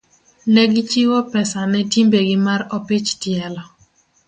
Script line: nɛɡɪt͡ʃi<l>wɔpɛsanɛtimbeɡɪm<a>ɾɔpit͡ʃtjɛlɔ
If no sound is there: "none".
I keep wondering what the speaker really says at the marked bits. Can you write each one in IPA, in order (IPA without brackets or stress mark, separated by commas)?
none, a